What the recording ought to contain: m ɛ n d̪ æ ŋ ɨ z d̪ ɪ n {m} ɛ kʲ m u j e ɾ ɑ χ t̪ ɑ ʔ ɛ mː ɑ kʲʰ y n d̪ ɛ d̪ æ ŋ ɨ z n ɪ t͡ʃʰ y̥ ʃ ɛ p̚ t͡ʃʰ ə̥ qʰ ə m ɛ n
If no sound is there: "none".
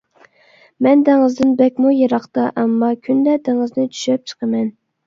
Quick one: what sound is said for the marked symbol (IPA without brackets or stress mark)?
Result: b